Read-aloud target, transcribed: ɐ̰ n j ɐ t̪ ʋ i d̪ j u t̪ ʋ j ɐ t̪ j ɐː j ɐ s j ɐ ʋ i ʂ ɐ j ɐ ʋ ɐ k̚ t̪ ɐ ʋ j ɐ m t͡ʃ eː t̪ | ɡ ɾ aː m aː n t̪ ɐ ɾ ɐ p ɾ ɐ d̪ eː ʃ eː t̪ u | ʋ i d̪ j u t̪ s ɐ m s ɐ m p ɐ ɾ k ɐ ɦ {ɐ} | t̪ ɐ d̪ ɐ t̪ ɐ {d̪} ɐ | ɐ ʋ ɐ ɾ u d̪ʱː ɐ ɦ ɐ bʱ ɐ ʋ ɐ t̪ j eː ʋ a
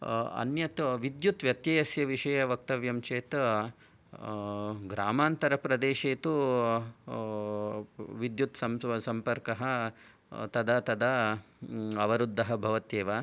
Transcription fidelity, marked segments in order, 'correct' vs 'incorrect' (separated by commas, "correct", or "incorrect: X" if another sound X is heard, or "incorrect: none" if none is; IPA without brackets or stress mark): correct, correct